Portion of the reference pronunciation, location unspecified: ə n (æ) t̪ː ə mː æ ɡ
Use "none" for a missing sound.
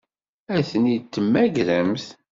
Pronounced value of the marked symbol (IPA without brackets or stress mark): i